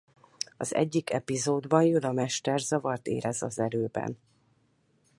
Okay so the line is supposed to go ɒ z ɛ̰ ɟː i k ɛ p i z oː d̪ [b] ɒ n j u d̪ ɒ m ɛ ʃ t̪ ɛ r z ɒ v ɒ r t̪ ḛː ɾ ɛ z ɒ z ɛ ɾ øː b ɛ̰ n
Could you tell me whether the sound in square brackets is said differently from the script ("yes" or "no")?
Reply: no